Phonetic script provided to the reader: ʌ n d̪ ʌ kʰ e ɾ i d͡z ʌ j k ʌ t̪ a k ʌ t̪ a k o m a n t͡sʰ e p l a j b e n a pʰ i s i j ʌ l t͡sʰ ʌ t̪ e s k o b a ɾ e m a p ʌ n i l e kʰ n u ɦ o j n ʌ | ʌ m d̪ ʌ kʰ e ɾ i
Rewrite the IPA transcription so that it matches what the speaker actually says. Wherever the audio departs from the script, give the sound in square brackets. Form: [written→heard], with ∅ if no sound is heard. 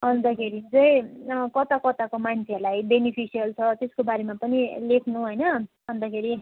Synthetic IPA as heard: ʌ n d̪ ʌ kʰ e ɾ i d͡z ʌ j k ʌ t̪ a k ʌ t̪ a k o m a n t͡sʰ e [p→∅] l a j b e n [a→i] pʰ i s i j ʌ l t͡sʰ ʌ t̪ e s k o b a ɾ e m a p ʌ n i l e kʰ n u ɦ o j n ʌ | ʌ [m→n] d̪ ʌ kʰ e ɾ i